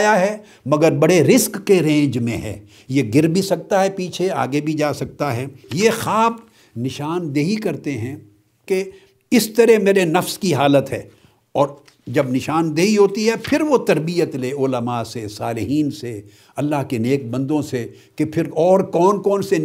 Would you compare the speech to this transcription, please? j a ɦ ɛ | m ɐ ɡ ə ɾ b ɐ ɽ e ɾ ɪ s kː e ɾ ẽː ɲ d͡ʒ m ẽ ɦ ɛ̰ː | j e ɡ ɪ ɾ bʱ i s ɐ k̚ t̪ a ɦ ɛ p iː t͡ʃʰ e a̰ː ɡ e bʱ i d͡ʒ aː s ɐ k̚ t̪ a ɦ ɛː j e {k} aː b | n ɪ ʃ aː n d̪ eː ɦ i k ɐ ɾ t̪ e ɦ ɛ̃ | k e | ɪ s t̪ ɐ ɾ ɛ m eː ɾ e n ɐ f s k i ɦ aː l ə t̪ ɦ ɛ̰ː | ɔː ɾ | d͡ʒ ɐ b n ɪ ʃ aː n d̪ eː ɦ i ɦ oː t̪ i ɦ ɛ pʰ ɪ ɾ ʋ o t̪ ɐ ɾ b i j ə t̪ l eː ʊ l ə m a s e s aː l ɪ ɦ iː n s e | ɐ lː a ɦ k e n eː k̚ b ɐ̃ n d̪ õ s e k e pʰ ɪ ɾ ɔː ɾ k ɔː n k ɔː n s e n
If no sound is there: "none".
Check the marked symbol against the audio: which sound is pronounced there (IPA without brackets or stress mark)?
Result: x